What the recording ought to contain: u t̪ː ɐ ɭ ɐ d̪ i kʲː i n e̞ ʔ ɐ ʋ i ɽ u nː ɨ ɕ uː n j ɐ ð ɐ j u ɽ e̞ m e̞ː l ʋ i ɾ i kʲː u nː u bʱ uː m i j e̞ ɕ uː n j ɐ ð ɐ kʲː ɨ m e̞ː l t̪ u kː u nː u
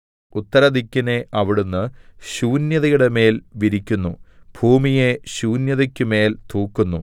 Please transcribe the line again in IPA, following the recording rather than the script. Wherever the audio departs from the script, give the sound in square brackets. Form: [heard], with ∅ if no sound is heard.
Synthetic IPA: u t̪ː ɐ [ɾ] ɐ d̪ i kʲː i n e̞ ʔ ɐ ʋ i ɽ u nː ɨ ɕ uː n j ɐ ð ɐ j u ɽ e̞ m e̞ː l ʋ i ɾ i kʲː u nː u bʱ uː m i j e̞ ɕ uː n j ɐ ð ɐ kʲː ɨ m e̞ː l t̪ [uː] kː u nː u